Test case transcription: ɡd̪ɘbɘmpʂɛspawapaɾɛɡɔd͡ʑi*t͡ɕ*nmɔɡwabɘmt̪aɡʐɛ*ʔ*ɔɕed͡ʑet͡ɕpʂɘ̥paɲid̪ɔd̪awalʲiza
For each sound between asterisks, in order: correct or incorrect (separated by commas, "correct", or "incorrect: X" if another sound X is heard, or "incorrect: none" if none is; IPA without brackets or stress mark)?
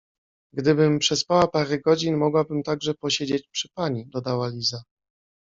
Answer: incorrect: none, incorrect: p